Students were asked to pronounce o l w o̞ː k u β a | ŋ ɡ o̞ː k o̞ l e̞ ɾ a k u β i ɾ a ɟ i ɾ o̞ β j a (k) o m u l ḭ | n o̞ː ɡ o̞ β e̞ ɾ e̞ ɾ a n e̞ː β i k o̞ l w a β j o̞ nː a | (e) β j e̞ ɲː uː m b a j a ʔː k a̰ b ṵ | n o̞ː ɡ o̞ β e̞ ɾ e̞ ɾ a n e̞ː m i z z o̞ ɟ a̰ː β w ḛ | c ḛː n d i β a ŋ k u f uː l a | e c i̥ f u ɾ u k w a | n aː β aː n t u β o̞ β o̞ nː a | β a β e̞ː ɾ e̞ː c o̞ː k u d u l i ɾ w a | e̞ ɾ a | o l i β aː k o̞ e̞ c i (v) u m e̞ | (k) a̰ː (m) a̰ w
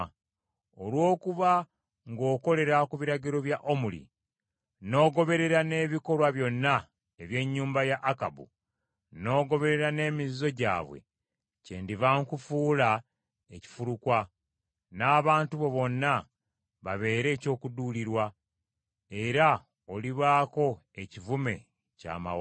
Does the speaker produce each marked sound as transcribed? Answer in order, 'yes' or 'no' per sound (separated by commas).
no, yes, yes, no, yes